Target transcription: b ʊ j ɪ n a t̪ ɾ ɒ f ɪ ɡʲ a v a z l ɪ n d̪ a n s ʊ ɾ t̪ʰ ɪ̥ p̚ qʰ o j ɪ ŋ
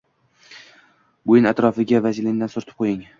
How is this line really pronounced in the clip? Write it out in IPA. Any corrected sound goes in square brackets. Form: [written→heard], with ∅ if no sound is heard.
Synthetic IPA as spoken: b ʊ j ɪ n a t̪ ɾ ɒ f ɪ ɡʲ a v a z l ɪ n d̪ a n s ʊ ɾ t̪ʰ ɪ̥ p̚ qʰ o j ɪ ŋ